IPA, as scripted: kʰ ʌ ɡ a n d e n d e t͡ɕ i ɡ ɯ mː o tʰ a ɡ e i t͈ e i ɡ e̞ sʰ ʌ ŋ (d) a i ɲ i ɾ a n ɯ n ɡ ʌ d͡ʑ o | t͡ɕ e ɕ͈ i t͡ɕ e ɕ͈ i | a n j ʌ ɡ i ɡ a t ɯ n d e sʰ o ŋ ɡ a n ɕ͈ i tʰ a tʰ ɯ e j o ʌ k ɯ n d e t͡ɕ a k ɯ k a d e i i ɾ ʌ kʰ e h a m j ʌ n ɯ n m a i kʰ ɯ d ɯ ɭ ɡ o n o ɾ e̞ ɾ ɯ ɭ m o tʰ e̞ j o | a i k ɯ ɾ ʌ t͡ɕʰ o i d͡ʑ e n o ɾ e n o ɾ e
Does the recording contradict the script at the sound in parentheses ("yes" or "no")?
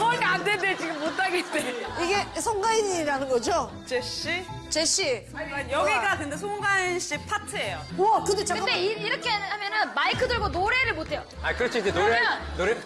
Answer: yes